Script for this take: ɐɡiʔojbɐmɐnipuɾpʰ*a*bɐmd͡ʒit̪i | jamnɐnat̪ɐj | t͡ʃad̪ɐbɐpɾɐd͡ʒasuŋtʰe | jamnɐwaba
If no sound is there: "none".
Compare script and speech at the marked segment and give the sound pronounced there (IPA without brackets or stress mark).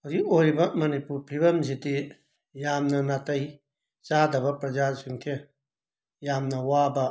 i